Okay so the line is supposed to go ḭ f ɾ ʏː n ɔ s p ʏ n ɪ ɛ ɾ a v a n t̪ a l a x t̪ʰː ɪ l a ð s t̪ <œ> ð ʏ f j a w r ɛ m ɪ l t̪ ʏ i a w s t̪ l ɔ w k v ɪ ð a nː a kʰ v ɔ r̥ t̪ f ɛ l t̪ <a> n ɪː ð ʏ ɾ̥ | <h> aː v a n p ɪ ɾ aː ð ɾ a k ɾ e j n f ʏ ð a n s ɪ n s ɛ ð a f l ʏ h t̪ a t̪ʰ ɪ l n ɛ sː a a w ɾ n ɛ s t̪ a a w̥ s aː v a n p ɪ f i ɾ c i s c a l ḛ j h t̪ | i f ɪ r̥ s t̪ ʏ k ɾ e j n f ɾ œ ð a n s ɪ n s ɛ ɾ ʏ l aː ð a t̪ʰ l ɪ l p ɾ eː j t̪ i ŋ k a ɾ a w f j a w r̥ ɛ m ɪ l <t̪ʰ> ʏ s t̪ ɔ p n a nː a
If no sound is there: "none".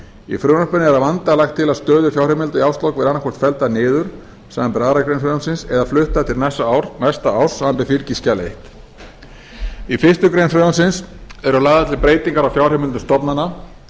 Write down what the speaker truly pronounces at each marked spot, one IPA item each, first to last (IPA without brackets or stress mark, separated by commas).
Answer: œː, a, s, t̪